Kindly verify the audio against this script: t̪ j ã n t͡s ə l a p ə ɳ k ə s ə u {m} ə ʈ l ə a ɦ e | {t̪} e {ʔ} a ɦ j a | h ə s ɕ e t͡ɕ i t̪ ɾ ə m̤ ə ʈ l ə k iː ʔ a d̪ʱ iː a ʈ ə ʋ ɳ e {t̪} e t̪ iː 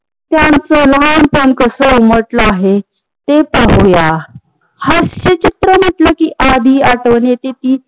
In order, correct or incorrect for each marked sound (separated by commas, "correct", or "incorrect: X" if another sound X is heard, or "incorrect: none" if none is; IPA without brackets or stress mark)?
correct, correct, incorrect: p, correct